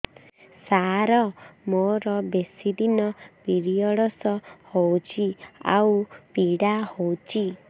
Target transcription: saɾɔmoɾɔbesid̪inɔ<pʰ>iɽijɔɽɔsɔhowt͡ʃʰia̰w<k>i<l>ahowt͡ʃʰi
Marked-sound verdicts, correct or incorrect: incorrect: p, incorrect: p, incorrect: ɽ

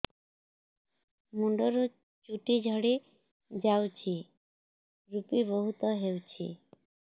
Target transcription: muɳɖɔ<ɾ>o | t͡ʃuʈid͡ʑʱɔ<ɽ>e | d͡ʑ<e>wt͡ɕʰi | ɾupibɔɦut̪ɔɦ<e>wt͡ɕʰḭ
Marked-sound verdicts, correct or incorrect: correct, correct, incorrect: a, correct

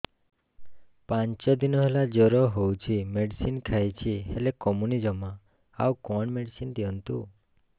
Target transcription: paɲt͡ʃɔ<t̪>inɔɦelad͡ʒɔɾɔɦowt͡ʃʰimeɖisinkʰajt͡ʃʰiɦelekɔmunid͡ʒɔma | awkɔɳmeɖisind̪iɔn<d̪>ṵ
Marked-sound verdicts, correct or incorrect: incorrect: d̪, incorrect: t̪

